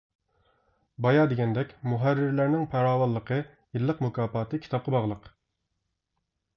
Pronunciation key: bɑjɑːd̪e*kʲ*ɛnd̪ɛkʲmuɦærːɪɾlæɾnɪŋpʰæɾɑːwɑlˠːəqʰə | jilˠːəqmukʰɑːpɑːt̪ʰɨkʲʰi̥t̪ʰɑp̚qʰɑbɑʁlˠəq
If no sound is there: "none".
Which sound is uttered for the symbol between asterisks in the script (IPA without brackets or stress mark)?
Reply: ɡʲ